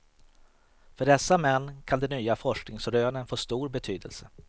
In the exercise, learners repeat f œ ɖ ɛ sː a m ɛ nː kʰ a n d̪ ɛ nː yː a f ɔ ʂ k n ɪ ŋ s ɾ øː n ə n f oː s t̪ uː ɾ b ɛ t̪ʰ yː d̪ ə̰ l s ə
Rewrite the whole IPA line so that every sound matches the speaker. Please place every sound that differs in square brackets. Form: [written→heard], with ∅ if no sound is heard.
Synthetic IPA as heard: f œ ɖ ɛ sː a m ɛ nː kʰ a n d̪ ɛ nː yː a f ɔ ʂ k n ɪ ŋ s ɾ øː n ə n f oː s t̪ uː ɾ b ɛ t̪ʰ yː d̪ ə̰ l s ə